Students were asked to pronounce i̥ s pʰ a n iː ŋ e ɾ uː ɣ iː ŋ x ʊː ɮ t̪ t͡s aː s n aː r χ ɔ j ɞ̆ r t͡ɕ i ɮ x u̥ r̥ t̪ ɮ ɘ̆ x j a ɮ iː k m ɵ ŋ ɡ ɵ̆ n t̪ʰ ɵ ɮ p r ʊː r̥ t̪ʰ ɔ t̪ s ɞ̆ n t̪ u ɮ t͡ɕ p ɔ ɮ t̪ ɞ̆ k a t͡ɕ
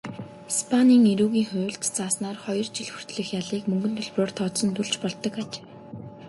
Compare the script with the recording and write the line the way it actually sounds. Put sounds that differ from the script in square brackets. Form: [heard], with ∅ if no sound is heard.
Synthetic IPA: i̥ s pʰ a n iː ŋ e ɾ uː ɣ iː ŋ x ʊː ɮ t̪ t͡s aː s n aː r χ ɔ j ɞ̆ r t͡ɕ i ɮ x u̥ r̥ t̪ ɮ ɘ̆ x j a ɮ iː k m ɵ ŋ ɡ ɵ̆ n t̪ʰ ɵ ɮ p r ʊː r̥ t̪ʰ ɔ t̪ s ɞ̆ n t̪ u ɮ t͡ɕ p ɔ ɮ t̪ ɞ̆ k a t͡ɕ